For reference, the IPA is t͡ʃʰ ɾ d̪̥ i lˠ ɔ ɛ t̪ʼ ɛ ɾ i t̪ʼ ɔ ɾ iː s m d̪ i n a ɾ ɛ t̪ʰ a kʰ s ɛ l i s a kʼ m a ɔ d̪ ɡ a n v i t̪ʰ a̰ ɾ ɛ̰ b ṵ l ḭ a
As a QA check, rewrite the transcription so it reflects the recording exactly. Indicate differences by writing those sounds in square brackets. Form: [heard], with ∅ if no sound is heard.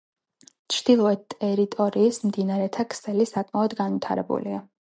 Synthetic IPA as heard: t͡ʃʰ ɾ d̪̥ i lˠ ɔ ɛ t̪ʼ ɛ ɾ i t̪ʼ ɔ ɾ iː s m d̪ i n a ɾ ɛ t̪ʰ a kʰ s ɛ l i s a kʼ m a ɔ d̪ ɡ a n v i t̪ʰ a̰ ɾ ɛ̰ b ṵ l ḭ a

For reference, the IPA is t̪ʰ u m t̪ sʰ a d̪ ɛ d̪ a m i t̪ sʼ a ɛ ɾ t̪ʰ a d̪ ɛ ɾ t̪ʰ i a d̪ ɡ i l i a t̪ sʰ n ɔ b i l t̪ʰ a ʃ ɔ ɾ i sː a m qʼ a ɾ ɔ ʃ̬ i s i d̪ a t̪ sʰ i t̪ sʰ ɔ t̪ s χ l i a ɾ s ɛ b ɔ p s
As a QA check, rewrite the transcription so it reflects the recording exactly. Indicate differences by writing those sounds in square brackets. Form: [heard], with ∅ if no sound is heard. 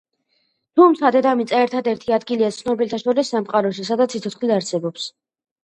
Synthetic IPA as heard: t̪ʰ u m t̪ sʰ a d̪ ɛ d̪ a m i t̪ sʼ a ɛ ɾ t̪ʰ a d̪ ɛ ɾ t̪ʰ i a d̪ ɡ i l i a t̪ sʰ n ɔ b i l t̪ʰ a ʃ ɔ ɾ i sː a m qʼ a ɾ ɔ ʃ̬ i s [a] d̪ a t̪ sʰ i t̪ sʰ ɔ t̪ s χ l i a ɾ s ɛ b ɔ p s

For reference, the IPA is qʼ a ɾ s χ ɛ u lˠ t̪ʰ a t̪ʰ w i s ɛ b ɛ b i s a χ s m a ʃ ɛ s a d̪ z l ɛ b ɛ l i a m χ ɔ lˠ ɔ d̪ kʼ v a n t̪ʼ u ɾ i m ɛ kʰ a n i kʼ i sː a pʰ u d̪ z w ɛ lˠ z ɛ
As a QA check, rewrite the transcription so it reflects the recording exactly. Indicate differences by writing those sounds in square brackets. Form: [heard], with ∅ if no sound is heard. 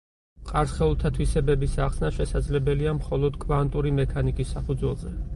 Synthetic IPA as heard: qʼ a ɾ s χ ɛ u lˠ t̪ʰ a t̪ʰ w i s ɛ b ɛ b i s a χ s [n] a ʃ ɛ s a d̪ z l ɛ b ɛ l i a m χ ɔ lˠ ɔ d̪ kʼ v a n t̪ʼ u ɾ i m ɛ kʰ a n i kʼ i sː a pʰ u d̪ z w ɛ lˠ z ɛ

